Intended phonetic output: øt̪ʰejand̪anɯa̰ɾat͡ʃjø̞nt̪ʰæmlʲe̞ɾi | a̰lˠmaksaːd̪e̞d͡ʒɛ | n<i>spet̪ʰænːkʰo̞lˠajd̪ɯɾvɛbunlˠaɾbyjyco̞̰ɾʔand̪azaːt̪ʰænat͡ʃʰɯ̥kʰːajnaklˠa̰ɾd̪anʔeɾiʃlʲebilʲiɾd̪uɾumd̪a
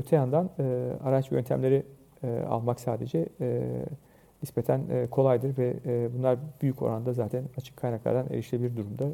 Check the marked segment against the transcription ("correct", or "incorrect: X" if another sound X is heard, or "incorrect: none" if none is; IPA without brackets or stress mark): correct